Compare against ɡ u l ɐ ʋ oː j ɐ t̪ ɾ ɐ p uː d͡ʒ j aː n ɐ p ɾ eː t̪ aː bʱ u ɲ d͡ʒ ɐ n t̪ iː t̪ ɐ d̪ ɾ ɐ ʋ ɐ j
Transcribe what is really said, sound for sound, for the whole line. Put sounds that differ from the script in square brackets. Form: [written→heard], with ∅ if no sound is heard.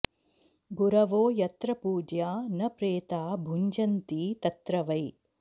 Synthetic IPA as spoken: ɡ u [l→ɾ] ɐ ʋ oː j ɐ t̪ ɾ ɐ p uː d͡ʒ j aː n ɐ p ɾ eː t̪ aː bʱ u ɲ d͡ʒ ɐ n t̪ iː t̪ ɐ [d̪→t̪] ɾ ɐ ʋ ɐ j